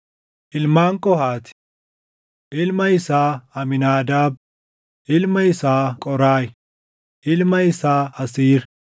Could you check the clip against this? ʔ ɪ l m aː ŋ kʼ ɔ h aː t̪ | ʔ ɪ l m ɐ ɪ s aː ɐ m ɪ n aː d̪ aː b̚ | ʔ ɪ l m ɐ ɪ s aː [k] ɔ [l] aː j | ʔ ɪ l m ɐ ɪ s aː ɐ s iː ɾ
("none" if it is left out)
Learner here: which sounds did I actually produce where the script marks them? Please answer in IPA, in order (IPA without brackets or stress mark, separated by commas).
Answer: kʼ, ɾ